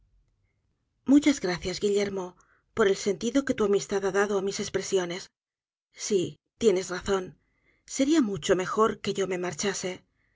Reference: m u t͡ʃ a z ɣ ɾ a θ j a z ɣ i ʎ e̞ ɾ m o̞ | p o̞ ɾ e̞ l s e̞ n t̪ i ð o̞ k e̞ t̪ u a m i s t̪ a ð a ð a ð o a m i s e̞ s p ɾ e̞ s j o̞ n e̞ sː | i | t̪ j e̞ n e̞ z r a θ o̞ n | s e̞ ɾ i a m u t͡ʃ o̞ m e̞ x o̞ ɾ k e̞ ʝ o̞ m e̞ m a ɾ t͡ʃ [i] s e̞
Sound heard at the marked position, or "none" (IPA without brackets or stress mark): a